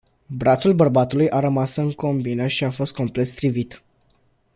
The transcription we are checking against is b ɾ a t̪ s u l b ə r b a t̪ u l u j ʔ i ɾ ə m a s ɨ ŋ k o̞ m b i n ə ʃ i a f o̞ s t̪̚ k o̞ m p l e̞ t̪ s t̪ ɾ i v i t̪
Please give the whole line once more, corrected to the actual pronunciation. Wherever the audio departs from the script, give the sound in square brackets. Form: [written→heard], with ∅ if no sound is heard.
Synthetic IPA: b ɾ a t̪ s u l b ə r b a t̪ u l u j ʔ [i→a] ɾ ə m a s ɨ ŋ k o̞ m b i n ə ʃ i a f o̞ s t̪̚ k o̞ m p l e̞ t̪ s t̪ ɾ i v i t̪